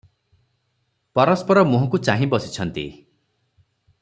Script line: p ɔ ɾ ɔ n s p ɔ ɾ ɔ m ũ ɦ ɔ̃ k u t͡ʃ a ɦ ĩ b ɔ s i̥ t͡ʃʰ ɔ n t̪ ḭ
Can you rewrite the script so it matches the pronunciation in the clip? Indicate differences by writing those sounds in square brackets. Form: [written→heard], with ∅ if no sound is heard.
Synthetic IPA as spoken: p ɔ ɾ ɔ [n→∅] s p ɔ ɾ ɔ m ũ ɦ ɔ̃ k u t͡ʃ a ɦ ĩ b ɔ s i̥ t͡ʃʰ ɔ n t̪ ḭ